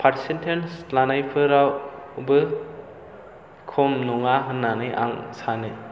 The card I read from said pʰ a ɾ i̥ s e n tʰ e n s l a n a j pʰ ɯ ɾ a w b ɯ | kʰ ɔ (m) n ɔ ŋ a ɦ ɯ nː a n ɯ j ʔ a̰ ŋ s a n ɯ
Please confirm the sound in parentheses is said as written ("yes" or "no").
yes